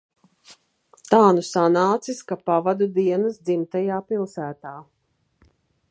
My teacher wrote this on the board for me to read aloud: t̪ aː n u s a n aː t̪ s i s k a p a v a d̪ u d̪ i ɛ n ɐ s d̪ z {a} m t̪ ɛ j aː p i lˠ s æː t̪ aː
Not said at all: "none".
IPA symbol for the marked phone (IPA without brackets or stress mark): i